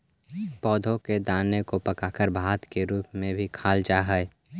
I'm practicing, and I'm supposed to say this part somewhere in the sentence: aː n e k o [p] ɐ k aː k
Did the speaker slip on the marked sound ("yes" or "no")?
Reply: no